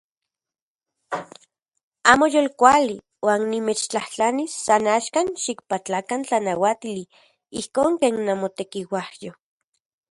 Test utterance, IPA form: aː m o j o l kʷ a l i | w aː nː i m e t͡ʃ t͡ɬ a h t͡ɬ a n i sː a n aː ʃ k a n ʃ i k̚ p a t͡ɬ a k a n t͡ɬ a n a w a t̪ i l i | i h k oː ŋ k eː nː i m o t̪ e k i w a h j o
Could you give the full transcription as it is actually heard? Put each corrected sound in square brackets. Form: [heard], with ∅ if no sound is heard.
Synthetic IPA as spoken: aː m o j o l kʷ a l i | w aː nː i m e t͡ʃ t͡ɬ a h t͡ɬ a n i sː a n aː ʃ k a n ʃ i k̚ p a t͡ɬ a k a n t͡ɬ a n a w a t̪ i l i | i h k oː ŋ k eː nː [a] m o t̪ e k i w a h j o

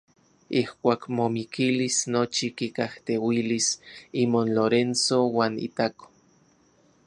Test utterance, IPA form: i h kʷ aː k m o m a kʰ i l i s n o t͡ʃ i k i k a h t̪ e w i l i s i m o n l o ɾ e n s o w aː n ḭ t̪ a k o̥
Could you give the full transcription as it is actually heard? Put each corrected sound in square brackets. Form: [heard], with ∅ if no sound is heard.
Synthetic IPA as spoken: i h kʷ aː k m o m [i] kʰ i l i s n o t͡ʃ i k i k a h t̪ e w i l i s i m o n l o ɾ e n s o w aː n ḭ t̪ a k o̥

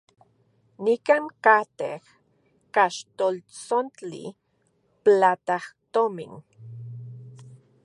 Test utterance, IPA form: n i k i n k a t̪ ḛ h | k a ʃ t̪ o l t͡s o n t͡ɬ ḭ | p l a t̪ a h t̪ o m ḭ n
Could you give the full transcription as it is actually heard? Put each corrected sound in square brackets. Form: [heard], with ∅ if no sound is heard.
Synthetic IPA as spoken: n i k [a] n k a t̪ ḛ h | k a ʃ t̪ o l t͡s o n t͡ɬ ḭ | p l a t̪ a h t̪ o m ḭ n

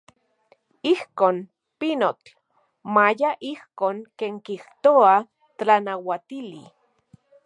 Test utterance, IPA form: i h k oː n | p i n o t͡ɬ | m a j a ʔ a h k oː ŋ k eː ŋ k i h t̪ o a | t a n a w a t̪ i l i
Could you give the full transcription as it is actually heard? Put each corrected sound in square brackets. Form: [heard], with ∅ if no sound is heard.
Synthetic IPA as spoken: i h k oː n | p i n o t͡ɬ | m a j a ʔ [i] h k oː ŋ k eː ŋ k i h t̪ o a | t a n a w a t̪ i l i

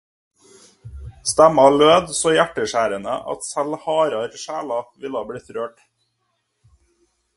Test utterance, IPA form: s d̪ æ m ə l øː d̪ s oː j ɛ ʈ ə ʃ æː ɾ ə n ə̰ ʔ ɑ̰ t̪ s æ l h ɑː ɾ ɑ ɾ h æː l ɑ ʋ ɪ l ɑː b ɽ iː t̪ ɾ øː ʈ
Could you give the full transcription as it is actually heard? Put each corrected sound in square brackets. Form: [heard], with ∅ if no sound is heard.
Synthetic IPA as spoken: s [t̪] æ m [ɑ] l øː d̪ s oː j [æ] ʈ ə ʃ æː ɾ ə n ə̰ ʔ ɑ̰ t̪ s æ l h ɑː ɾ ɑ ɾ [ʃ] æː l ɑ ʋ ɪ l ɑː b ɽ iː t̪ ɾ øː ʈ

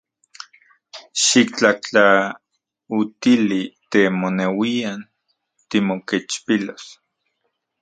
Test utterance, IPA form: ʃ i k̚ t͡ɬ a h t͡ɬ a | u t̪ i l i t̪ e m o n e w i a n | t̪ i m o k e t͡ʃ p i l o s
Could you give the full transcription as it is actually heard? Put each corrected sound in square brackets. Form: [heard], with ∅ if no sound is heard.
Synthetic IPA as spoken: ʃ i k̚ t͡ɬ a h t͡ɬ a | u t̪ i l i t̪ e m o n e w i a n | t̪ i m o k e t͡ʃ p i l o s

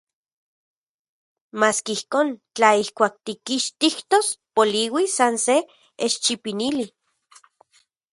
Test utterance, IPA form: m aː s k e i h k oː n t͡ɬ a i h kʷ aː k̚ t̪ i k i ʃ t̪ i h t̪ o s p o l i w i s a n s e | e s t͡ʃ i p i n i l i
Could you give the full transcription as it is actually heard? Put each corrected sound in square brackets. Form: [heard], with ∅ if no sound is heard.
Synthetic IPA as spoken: m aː s k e i h k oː n t͡ɬ a i h kʷ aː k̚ t̪ i k i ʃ t̪ i h t̪ o s p o l i w i s a n s e | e [ʃ] t͡ʃ i p i n i l i

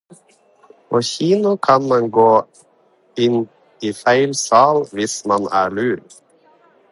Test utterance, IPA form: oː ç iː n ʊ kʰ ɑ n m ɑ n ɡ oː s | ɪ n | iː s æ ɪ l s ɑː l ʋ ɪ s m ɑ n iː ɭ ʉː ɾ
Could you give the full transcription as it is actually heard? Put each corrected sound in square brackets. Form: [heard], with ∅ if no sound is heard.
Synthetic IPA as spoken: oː ç iː n ʊ kʰ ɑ n m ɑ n ɡ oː [∅] | ɪ n | iː [f] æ ɪ l s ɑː l ʋ ɪ s m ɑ n [æː] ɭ ʉː ɾ

